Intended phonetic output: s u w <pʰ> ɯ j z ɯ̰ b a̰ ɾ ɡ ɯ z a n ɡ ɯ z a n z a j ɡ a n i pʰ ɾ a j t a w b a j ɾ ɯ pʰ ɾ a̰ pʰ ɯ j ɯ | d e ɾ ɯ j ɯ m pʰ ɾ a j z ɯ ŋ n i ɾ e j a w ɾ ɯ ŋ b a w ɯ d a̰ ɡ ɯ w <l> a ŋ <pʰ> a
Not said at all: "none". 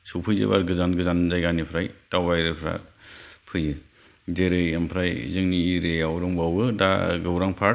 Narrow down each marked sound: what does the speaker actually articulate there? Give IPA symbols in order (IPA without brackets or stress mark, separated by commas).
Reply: pʰ, ɾ, pʰ